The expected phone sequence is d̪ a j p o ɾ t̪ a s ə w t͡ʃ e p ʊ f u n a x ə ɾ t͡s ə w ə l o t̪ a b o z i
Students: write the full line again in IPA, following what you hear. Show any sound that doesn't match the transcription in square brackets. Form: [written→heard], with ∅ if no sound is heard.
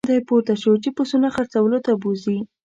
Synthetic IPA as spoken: d̪ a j p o ɾ t̪ a [s→ʃ] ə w t͡ʃ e p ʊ [f→s] u n a x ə ɾ t͡s [ə→a] w ə l o t̪ a b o z i